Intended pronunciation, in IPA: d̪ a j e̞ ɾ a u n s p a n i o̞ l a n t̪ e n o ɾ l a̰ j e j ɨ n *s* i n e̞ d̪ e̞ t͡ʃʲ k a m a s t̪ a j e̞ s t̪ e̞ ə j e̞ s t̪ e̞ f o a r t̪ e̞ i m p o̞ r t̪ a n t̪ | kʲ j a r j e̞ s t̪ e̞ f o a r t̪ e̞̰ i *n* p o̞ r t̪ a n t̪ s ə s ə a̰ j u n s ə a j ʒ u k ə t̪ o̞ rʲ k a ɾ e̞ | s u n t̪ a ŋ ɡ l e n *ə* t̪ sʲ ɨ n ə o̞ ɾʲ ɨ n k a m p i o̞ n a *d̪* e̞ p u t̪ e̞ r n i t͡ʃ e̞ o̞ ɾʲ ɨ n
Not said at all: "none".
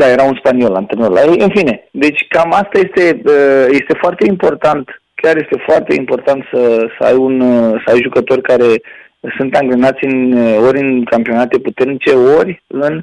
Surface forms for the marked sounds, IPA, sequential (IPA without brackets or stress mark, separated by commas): f, m, a, t̪